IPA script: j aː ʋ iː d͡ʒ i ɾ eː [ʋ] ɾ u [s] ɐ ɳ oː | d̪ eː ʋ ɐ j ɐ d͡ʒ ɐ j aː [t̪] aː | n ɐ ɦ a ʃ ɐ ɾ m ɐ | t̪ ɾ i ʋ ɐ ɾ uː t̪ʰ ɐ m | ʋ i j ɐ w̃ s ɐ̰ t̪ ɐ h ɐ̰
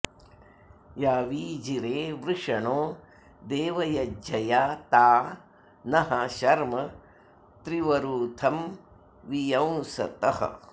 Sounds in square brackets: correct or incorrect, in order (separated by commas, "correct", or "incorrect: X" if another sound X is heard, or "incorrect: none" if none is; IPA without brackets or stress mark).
correct, incorrect: ʂ, correct